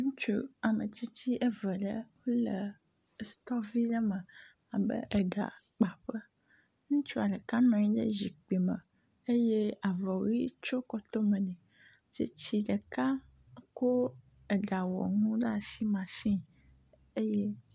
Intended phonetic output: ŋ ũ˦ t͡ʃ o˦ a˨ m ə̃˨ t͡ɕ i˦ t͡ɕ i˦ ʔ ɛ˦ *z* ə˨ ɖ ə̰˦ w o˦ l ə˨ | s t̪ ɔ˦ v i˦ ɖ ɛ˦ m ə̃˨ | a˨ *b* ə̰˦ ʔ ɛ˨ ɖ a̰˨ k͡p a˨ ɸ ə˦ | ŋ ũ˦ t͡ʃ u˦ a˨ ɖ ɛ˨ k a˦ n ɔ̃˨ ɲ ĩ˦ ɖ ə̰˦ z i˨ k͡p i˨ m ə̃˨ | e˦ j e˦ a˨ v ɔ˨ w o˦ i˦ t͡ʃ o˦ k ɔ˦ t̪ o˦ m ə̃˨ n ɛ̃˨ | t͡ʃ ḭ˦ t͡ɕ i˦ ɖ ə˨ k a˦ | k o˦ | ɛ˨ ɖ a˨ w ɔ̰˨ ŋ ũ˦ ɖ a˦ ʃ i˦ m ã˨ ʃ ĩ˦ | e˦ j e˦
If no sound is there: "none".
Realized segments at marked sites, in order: v, b

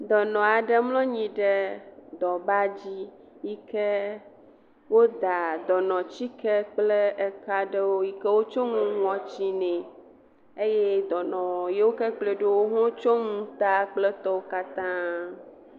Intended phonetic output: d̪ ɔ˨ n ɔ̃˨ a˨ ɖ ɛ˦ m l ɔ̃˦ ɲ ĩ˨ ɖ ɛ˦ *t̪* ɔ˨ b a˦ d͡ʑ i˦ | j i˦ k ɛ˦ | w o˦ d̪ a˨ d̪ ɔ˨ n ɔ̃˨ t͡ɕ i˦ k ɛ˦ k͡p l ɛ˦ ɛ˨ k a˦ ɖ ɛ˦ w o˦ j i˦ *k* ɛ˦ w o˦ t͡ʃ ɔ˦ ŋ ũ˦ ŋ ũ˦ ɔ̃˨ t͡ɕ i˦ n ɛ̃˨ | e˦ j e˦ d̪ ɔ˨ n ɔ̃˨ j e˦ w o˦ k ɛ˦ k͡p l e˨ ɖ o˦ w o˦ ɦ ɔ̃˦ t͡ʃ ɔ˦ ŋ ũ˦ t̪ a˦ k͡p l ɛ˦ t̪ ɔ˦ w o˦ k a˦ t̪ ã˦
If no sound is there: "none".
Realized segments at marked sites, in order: d̪, k

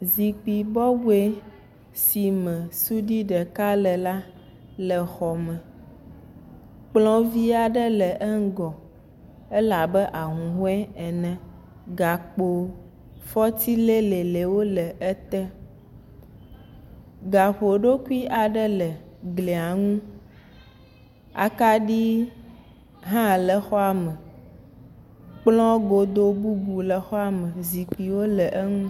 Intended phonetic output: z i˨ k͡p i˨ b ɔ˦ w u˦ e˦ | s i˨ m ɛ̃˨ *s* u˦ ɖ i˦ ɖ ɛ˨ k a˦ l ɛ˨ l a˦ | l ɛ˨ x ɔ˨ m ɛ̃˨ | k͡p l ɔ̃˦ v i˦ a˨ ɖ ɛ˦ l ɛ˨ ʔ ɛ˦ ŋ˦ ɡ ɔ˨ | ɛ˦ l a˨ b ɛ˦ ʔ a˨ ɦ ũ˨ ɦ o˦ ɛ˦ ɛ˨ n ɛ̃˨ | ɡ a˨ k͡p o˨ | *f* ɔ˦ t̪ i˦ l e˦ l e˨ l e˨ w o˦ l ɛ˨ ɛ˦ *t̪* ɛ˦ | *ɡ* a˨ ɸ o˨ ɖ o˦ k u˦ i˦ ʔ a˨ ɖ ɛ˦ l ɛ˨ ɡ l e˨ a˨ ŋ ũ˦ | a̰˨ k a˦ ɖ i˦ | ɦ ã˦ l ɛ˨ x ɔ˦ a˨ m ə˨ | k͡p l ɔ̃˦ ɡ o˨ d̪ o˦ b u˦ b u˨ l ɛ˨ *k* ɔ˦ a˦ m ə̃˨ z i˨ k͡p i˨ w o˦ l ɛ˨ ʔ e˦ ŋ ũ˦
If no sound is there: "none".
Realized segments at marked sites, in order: s, f, t̪, ɡ, x

